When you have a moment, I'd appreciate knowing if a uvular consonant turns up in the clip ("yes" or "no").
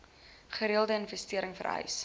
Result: yes